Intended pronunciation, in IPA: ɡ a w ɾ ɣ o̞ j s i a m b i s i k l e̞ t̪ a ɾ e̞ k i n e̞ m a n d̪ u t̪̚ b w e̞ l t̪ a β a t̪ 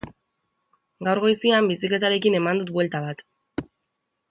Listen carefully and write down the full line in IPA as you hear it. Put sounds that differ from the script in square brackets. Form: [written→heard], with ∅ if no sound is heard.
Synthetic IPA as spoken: ɡ a w ɾ ɣ o̞ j s i a m b i s i k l e̞ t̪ a ɾ e̞ k i n e̞ m a n d̪ u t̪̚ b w e̞ l t̪ a β a t̪